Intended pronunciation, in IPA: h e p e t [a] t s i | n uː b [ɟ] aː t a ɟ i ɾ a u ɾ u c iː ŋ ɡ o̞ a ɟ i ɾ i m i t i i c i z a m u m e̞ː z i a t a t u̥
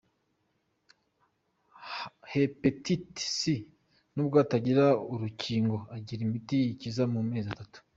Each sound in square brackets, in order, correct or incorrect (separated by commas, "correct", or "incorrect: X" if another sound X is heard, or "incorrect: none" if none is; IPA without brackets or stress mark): incorrect: i, incorrect: ɡ